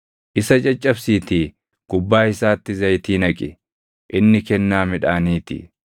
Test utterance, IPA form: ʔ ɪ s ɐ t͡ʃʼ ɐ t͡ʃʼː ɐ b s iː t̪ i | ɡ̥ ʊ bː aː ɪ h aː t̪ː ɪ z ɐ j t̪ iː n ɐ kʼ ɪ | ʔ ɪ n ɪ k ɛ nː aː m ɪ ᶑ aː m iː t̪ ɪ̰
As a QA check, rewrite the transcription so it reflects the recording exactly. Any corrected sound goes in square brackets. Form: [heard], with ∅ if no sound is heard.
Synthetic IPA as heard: ʔ ɪ s ɐ t͡ʃʼ ɐ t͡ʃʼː ɐ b s iː t̪ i | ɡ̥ ʊ bː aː ɪ [s] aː t̪ː ɪ z ɐ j t̪ iː n ɐ kʼ ɪ | ʔ ɪ [nː] ɪ k ɛ nː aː m ɪ ᶑ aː [n] iː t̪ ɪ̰